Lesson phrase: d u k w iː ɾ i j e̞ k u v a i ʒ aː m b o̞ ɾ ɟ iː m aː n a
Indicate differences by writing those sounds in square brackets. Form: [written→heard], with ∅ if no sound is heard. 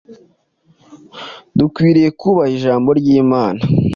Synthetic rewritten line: d u k w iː ɾ i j e̞ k u [v→β] a i ʒ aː m b o̞ ɾ ɟ iː m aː n a